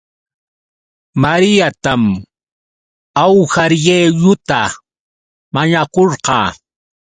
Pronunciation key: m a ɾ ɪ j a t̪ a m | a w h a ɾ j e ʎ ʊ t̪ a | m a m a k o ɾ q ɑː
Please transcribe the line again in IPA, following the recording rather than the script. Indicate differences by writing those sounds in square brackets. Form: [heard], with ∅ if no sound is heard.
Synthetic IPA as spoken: m a ɾ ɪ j a t̪ a m | a w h a ɾ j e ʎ ʊ t̪ a | m a [ɲ] a k o ɾ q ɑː